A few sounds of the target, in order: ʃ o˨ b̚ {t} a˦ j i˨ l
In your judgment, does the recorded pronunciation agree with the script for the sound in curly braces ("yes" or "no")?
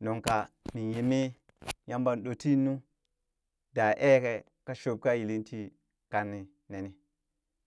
no